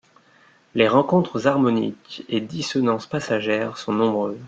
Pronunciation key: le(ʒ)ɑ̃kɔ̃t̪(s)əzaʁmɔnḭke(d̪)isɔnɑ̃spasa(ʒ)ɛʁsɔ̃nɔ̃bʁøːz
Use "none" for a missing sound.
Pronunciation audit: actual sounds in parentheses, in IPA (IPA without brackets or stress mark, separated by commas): ʁ, χ, d̪, ʒ